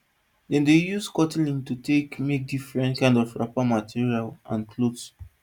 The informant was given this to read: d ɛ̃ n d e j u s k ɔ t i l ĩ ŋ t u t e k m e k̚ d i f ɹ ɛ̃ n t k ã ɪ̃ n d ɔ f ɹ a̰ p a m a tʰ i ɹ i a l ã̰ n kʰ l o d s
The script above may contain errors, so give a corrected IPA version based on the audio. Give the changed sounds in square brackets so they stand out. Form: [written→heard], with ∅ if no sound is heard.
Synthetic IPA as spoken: d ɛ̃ n d e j u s k ɔ t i l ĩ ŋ t u t e k m e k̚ d i f ɹ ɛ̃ n t k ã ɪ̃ n d ɔ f ɹ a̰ p a m a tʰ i ɹ i a l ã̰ n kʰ l o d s